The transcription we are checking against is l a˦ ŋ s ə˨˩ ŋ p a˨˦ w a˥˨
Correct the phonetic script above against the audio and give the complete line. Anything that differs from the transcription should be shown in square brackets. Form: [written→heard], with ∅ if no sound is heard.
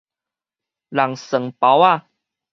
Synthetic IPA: l [a˦→a˨˩] ŋ s ə˨˩ ŋ p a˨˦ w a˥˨